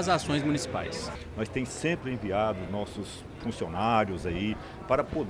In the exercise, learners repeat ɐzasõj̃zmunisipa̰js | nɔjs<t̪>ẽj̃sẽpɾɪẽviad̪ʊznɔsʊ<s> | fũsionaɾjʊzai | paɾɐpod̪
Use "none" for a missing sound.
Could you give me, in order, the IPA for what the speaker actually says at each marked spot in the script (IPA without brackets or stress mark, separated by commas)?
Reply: t̪, s